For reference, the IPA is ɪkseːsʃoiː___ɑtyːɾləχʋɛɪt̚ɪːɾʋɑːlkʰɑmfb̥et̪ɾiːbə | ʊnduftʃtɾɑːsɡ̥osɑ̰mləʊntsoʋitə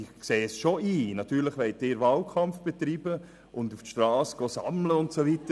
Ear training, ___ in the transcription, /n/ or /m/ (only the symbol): n